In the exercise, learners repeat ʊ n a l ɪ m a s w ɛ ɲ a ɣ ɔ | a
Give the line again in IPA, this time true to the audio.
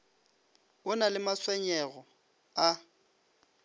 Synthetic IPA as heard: ʊ n a l ɪ m a s w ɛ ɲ ɛ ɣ ɔ | a

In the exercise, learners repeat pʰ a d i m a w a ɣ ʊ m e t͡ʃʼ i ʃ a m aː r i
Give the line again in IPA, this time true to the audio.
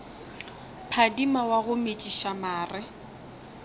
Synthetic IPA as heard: pʰ a d i m a w a ɣ ʊ m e t͡ʃʼ i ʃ a m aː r ɪ

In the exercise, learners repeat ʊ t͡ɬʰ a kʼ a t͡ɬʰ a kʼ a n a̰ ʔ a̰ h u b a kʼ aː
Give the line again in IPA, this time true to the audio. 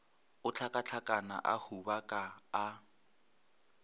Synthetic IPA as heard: ʊ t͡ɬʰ a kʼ a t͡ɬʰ a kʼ a n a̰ ʔ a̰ h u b a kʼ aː

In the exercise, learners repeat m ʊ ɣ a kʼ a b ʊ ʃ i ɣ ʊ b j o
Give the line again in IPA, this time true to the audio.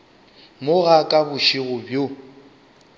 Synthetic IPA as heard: m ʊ ɣ a kʼ a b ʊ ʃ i ɣ ʊ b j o

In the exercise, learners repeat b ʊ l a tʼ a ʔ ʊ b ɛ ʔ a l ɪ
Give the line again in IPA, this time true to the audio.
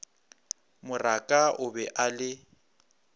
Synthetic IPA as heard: m ʊ r a kʼ a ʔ ʊ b ɛ ʔ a l ɪ

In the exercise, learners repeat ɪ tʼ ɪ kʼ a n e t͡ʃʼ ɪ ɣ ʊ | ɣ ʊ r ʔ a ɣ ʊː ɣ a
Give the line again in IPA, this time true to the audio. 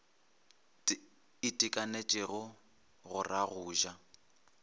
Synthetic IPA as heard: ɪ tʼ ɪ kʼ a n e t͡ʃʼ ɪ ɣ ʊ | ɣ ʊ r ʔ a ɣ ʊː ʒ a

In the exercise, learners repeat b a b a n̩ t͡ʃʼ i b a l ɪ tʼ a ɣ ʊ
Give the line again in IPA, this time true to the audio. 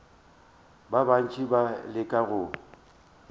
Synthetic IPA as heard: b a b a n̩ t͡ʃʼ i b a l ɪ kʼ a ɣ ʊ

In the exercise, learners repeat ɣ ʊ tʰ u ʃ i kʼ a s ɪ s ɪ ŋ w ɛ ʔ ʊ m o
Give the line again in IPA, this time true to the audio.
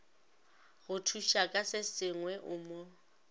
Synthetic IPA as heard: ɣ ʊ tʰ u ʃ a kʼ a s ɪ s ɪ ŋ w ɛ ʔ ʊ m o

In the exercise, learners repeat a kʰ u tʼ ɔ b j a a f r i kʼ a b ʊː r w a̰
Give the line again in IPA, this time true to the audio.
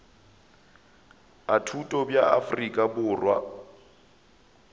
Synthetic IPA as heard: a tʰ u tʼ ɔ b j a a f r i kʼ a b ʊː r w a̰

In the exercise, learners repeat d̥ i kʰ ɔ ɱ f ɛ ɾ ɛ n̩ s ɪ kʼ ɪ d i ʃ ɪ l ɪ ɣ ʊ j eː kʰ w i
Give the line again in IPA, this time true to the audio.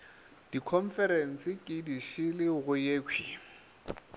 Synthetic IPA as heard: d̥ i kʰ ɔ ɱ f ɛ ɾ ɛ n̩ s ɪ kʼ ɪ d i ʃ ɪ l ɪ ɣ ʊ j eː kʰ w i

